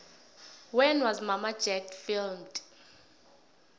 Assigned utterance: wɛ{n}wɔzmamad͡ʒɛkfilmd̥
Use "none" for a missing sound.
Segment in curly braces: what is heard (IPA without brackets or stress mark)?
n